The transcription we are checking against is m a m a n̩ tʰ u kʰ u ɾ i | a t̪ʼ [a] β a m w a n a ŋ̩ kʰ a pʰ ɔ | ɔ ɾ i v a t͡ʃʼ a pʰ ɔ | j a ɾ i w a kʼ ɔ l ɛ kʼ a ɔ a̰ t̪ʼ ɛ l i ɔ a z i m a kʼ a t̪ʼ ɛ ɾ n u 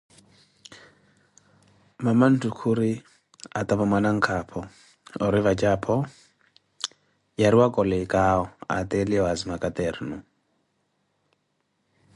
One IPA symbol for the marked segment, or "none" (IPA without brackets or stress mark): a